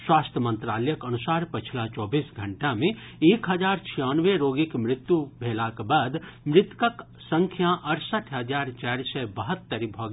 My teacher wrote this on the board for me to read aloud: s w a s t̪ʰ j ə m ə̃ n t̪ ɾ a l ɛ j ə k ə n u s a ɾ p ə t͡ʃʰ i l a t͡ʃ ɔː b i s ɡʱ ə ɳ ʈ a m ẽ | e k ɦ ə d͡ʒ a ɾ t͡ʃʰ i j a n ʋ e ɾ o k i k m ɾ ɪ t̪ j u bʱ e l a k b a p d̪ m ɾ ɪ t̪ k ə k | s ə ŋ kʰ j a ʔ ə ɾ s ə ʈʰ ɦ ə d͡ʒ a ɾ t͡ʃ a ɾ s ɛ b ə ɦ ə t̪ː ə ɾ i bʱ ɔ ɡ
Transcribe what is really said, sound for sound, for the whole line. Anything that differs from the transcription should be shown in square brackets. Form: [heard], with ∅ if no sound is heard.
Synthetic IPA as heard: s w a s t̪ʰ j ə m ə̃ n t̪ ɾ a l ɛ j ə k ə n u s a ɾ p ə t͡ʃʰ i l a t͡ʃ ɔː b i s ɡʱ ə ɳ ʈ a m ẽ | e k ɦ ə d͡ʒ a ɾ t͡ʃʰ i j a n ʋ e ɾ o [ɡ] i k m ɾ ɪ t̪ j u bʱ e l a k b a [∅] d̪ m ɾ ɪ t̪ k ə k | s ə ŋ kʰ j a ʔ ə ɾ s ə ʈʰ ɦ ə d͡ʒ a ɾ t͡ʃ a ɾ s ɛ b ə ɦ ə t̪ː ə ɾ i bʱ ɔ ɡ